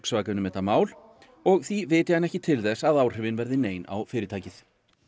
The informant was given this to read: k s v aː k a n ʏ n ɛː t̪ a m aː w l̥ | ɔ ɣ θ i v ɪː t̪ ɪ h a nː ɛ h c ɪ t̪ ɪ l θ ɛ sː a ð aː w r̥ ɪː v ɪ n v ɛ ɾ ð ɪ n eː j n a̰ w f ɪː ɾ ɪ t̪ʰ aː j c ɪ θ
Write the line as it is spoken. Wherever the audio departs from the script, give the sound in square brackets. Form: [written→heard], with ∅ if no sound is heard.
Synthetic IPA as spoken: k s v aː k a n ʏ [n→m] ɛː t̪ a m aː w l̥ | ɔ ɣ θ i v ɪː t̪ ɪ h a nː ɛ h c ɪ [t̪→t̪ʰ] ɪ l θ ɛ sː a ð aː w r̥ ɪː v ɪ n v ɛ ɾ ð ɪ n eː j n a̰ w f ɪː ɾ ɪ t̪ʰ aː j c ɪ θ